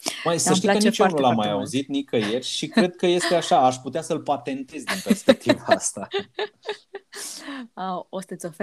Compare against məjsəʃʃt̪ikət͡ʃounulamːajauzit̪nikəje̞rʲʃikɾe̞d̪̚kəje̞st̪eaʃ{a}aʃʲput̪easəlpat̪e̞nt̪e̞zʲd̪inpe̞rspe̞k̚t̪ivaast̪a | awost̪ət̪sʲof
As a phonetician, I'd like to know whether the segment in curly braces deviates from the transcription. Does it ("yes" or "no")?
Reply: no